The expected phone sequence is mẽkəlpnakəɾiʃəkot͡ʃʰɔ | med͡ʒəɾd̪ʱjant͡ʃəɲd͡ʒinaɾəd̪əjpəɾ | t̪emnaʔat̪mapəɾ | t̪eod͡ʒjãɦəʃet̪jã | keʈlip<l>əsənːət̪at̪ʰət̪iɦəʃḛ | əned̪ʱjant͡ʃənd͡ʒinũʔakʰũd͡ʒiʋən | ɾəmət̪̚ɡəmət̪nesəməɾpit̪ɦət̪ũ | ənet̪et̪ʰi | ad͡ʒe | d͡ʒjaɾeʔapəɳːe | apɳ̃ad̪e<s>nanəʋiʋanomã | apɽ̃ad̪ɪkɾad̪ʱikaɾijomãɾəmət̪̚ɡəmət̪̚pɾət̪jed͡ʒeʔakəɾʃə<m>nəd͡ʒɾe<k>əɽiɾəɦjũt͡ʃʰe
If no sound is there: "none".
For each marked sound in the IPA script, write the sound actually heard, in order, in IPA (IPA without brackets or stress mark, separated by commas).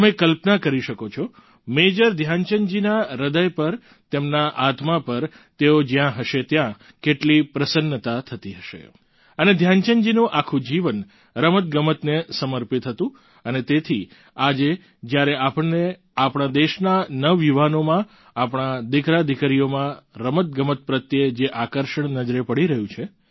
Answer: ɾ, ʃ, ɳ, p